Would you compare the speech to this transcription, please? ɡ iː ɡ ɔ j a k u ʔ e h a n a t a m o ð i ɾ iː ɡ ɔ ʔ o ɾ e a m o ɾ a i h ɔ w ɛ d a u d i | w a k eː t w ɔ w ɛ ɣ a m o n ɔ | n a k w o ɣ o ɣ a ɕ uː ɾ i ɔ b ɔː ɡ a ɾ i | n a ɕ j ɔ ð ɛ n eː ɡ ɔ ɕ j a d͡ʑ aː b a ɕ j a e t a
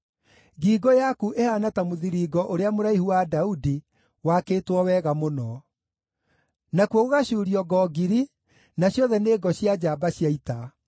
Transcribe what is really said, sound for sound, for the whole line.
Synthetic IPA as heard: ɡ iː ɡ ɔ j a k u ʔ e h a n a t a m o ð i ɾ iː ɡ ɔ ʔ o ɾ e a m o ɾ a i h u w a d a u d i | w a k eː t w ɔ w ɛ ɣ a m o n ɔ | n a k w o ɣ o ɣ a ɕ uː ɾ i ɔ ɡ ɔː ɡ i ɾ i | n a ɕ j ɔ ð ɛ n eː ɡ ɔ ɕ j a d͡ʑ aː b a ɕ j a i t a